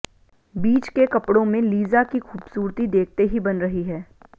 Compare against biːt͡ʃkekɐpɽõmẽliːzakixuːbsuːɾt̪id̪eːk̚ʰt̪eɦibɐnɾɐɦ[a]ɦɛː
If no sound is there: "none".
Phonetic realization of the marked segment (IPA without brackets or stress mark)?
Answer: i